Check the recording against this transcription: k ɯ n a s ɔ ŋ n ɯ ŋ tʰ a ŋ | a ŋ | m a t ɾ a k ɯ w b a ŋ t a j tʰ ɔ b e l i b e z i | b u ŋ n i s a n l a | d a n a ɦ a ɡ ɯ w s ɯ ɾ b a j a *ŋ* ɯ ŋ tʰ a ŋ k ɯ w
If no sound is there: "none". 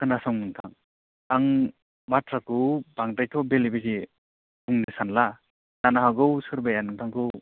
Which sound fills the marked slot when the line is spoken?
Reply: n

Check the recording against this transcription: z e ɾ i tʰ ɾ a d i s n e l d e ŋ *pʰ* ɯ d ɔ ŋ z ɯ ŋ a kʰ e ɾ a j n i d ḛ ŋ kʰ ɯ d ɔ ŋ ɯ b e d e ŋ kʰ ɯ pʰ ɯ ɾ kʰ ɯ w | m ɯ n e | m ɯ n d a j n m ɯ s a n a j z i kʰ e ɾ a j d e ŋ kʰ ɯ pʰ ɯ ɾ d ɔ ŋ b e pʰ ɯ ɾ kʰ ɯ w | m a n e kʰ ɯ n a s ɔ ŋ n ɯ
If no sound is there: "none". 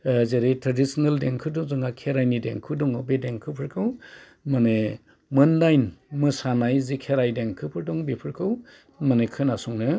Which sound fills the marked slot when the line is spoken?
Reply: kʰ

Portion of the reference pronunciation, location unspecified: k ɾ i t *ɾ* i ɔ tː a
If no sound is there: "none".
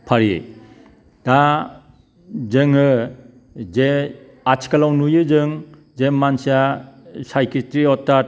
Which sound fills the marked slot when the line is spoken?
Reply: ɾ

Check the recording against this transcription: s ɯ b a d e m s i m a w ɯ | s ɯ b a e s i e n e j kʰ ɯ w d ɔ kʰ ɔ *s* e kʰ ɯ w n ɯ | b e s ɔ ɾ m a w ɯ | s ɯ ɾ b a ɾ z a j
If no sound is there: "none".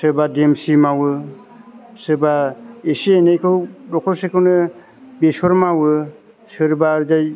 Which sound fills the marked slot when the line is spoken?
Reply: s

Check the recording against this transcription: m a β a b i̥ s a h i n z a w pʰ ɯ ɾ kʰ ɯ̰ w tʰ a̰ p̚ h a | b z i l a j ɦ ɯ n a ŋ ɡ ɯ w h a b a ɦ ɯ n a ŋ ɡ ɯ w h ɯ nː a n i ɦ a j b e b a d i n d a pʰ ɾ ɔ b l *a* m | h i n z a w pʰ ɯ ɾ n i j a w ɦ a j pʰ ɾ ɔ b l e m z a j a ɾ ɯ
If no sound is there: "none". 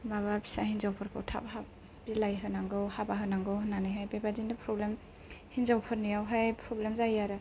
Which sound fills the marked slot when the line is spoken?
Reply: e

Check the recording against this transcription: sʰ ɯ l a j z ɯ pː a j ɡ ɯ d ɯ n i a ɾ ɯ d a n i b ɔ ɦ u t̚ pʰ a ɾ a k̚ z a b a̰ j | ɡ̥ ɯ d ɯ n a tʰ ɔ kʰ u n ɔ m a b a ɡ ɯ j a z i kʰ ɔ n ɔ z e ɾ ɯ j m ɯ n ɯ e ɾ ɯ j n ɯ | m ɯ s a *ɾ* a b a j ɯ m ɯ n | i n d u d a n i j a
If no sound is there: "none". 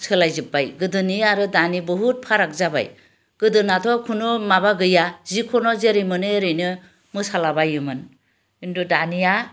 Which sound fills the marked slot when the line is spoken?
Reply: l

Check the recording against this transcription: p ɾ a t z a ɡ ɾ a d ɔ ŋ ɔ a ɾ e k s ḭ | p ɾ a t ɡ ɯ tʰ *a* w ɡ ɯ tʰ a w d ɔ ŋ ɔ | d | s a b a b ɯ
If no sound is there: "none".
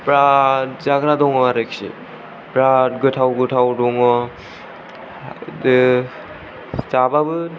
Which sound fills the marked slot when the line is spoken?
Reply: a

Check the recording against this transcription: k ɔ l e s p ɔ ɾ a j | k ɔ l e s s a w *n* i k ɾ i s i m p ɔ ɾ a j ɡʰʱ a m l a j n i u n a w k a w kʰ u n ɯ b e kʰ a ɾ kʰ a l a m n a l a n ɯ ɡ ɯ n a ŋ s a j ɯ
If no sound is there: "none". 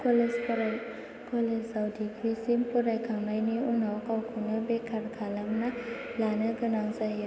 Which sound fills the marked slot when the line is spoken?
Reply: d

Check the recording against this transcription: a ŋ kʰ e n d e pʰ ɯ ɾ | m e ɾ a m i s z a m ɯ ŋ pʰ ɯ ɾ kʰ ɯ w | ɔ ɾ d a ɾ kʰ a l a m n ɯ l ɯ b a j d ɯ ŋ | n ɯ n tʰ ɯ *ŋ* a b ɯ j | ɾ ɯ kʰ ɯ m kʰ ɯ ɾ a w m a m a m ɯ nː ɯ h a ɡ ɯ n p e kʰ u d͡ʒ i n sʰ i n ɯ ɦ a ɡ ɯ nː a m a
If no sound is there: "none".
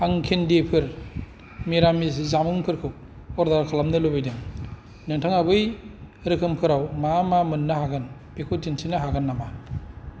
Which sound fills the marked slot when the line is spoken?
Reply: ŋ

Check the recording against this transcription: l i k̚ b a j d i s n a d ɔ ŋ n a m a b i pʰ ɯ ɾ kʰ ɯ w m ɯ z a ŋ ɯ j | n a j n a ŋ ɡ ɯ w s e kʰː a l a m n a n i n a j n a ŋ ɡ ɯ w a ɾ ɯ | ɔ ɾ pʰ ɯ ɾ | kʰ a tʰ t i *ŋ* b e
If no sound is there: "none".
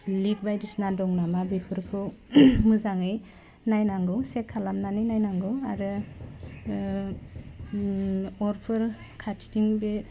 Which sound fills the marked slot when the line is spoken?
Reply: ŋ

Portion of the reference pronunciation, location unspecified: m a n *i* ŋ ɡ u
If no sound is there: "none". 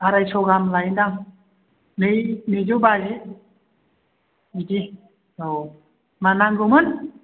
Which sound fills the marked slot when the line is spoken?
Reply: a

